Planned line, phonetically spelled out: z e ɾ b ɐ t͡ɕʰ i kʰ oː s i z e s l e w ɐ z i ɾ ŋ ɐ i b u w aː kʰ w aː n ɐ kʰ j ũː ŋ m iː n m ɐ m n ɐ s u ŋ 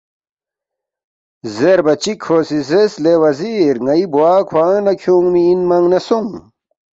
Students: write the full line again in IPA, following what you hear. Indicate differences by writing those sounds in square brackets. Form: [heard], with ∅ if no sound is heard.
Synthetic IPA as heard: z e ɾ b ɐ [t͡ɕ] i kʰ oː s i z e s l e w ɐ z i ɾ ŋ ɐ i b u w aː kʰ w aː n ɐ kʰ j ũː ŋ m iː n m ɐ [ŋ] n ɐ s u ŋ